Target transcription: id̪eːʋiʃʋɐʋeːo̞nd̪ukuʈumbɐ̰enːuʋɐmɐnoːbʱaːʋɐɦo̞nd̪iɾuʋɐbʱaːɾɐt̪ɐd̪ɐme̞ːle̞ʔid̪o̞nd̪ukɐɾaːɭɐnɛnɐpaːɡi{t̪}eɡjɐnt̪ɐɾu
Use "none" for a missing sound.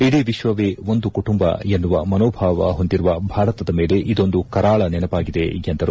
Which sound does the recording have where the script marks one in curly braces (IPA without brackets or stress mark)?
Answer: d̪